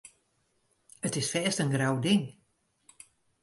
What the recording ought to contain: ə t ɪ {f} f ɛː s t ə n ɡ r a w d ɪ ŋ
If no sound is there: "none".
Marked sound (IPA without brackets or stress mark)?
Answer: s